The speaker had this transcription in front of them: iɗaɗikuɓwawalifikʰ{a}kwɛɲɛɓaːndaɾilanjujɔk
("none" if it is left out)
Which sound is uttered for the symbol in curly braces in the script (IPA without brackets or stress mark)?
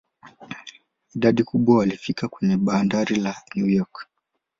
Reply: a